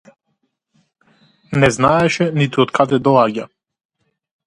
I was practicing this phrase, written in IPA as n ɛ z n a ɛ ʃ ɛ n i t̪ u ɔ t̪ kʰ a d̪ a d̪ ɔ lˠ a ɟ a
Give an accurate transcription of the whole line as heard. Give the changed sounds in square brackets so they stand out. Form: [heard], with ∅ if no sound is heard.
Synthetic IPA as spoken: n ɛ z n a ɛ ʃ ɛ n i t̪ u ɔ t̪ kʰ a d̪ [ɛ] d̪ ɔ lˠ a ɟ a